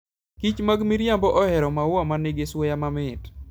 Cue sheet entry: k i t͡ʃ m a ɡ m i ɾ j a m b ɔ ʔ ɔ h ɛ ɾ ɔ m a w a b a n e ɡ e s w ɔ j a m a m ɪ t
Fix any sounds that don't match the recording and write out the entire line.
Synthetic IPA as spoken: k i t͡ʃ m a ɡ m i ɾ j a m b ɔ ʔ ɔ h ɛ ɾ ɔ m a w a m a n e ɡ e s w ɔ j a m a m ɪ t